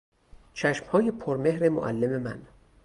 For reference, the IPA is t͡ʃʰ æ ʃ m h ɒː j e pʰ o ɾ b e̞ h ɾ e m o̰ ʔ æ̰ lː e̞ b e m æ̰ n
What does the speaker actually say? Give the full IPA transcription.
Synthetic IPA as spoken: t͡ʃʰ æ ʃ m h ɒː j e pʰ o ɾ m e̞ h ɾ e m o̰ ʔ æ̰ lː e̞ m e m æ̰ n